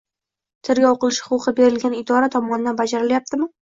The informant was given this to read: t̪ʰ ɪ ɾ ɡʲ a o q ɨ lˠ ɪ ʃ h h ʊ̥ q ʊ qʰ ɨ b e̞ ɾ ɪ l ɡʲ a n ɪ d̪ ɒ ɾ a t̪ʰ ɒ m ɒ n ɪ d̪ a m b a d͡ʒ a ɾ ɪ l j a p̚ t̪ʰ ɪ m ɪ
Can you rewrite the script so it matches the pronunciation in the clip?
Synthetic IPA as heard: t̪ʰ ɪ ɾ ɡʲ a o q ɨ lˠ ɪ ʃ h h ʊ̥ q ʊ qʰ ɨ b e̞ ɾ ɪ l ɡʲ a n ɪ d̪ ɒ ɾ a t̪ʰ ɒ m ɒ n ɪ d̪ a n b a d͡ʒ a ɾ ɪ l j a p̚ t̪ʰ ɪ m ɪ